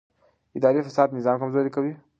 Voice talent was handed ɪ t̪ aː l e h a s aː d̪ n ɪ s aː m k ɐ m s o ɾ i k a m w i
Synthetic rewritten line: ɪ d̪ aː ɾ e f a s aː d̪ n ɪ z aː m k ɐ m z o ɾ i k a w i